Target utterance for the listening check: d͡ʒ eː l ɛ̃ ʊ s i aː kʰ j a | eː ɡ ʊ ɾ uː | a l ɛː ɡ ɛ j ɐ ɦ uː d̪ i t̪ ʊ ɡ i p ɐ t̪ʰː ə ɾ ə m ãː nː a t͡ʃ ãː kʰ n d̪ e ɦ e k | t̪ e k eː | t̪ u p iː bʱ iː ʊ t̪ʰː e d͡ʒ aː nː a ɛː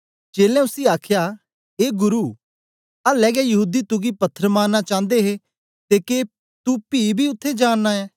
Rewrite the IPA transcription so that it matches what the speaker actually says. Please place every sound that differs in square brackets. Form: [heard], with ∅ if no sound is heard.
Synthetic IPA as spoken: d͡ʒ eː l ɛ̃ ʊ s i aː kʰ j a | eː ɡ ʊ ɾ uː | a l ɛː ɡ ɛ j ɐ ɦ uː d̪ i t̪ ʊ ɡ i p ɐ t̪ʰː ə ɾ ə m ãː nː a t͡ʃ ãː [∅] n d̪ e ɦ e [∅] | t̪ e k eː | t̪ u p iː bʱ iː ʊ t̪ʰː e d͡ʒ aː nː a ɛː